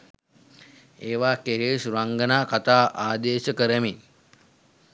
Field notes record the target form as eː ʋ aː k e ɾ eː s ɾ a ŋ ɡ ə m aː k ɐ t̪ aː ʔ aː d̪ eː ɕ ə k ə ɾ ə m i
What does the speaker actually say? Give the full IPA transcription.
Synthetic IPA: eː ʋ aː k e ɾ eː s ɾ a ŋ ɡ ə n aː k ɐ t̪ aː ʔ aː d̪ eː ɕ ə k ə ɾ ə m i